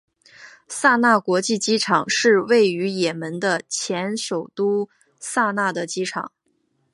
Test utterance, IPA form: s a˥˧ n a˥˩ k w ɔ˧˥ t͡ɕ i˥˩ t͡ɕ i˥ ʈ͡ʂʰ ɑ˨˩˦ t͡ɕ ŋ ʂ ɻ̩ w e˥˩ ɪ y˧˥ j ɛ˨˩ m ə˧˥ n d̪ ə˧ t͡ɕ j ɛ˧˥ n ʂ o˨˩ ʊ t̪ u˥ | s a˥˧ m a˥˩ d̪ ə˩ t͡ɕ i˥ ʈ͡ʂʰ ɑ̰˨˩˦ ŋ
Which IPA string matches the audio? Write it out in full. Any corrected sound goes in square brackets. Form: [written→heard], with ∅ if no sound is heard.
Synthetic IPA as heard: s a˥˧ n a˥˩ k w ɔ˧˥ t͡ɕ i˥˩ t͡ɕ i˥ ʈ͡ʂʰ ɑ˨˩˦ [t͡ɕ→∅] ŋ ʂ ɻ̩ w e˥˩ ɪ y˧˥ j ɛ˨˩ m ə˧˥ n d̪ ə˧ [t͡ɕ→t͡ɕʰ] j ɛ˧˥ n ʂ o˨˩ ʊ t̪ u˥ | s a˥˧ [m→n] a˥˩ d̪ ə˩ t͡ɕ i˥ ʈ͡ʂʰ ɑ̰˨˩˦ ŋ